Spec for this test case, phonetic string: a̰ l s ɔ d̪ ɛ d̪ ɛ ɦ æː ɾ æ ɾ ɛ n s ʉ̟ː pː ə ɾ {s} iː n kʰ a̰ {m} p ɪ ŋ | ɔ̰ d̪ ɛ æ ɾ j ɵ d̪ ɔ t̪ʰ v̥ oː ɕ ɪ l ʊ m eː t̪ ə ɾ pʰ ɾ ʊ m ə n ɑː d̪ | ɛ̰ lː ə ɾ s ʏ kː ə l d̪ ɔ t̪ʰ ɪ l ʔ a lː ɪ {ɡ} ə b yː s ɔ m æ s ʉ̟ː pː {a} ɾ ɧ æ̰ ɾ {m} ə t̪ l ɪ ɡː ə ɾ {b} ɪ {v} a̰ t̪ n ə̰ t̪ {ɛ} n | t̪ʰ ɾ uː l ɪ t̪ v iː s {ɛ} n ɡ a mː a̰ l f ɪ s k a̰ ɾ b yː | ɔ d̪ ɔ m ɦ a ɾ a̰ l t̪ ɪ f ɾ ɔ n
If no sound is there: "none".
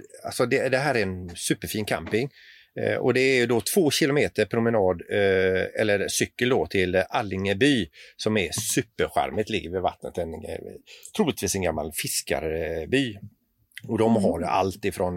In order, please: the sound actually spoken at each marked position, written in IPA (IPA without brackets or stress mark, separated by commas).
f, m, ŋ, ə, m, v, v, ɛ, ɛ